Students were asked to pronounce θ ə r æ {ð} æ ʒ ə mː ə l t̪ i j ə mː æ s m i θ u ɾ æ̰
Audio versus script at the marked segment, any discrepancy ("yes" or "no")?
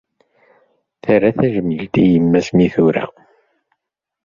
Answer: yes